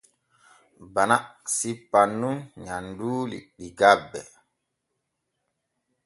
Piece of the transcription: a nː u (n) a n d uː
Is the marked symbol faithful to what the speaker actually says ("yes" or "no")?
no